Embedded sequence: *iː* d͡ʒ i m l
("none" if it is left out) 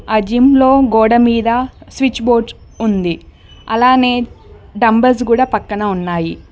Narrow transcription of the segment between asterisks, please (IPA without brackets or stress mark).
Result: aː